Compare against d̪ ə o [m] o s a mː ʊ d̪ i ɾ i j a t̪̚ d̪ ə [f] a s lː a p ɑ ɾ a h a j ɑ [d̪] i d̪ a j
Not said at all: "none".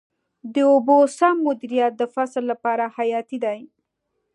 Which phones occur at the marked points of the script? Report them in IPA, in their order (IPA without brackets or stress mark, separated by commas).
b, f, t̪